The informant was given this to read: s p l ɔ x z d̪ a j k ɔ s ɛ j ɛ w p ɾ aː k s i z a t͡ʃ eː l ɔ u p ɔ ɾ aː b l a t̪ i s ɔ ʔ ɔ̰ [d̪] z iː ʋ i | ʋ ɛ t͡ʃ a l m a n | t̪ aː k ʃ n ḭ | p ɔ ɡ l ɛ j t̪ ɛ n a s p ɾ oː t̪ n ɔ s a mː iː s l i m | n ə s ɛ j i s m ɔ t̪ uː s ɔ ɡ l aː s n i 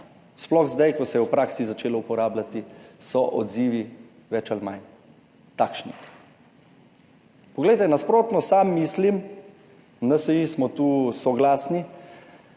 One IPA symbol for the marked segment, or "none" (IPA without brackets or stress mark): d̪